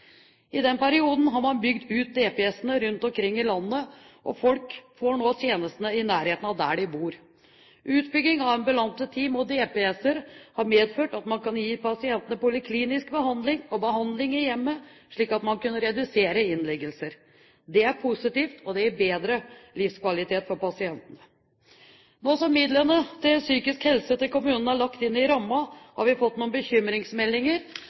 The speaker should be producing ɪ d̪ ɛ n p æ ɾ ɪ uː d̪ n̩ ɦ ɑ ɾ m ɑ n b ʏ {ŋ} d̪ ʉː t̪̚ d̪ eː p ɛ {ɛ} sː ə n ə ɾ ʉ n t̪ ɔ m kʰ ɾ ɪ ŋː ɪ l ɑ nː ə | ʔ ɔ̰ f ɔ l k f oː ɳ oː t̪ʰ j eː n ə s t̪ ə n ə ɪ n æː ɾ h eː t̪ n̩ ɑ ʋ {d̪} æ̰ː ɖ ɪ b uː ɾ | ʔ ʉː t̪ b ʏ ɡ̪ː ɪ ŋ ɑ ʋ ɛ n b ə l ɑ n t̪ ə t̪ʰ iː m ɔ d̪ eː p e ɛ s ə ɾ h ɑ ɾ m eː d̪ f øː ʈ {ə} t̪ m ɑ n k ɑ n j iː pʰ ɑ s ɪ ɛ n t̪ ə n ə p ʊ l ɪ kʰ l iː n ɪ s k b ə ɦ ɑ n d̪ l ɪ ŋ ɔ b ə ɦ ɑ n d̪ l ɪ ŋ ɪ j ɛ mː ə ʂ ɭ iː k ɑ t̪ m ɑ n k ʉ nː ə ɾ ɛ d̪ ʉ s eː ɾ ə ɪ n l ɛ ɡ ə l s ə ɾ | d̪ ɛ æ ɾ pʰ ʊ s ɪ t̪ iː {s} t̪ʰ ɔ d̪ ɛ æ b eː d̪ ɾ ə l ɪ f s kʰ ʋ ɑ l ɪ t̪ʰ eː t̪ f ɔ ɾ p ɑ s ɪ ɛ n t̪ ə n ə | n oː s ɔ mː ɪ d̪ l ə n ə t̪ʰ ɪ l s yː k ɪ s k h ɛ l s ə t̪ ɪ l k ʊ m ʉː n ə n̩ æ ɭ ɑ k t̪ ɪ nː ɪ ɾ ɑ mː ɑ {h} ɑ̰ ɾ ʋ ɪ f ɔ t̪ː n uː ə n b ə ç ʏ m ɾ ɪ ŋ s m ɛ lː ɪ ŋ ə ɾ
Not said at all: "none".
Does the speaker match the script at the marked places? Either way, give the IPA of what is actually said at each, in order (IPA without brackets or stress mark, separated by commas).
ɡ, ɛ, d̪, ɑ, f, h